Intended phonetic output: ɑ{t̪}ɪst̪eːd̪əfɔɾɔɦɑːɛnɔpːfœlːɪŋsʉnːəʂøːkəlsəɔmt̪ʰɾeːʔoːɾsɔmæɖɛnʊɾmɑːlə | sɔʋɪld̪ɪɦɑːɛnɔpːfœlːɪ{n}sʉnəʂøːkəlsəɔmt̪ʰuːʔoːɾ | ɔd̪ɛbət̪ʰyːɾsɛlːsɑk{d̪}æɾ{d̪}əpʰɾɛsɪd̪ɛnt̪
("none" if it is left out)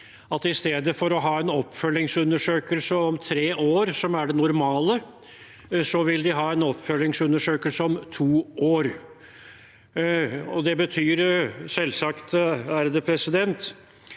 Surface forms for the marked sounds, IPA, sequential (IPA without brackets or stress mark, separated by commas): t̪, ŋ, t̪, d̪